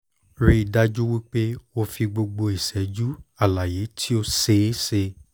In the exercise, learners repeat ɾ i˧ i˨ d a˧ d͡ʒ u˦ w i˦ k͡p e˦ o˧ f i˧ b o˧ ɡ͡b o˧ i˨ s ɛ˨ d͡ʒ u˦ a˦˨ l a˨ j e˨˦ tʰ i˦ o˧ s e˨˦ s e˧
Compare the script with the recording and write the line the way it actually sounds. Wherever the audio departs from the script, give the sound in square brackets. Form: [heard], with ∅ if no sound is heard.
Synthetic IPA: ɾ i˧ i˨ d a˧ d͡ʒ u˦ w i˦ k͡p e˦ o˧ f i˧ [ɡ͡b] o˧ ɡ͡b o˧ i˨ s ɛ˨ d͡ʒ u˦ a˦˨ l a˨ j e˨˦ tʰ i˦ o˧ s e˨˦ s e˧